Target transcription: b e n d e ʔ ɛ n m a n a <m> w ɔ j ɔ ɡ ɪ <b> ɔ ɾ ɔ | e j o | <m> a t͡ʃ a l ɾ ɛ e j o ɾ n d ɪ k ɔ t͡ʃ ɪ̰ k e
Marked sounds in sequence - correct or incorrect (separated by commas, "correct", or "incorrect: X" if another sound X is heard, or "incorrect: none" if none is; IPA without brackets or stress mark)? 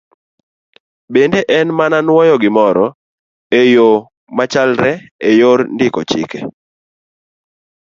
incorrect: n, incorrect: m, correct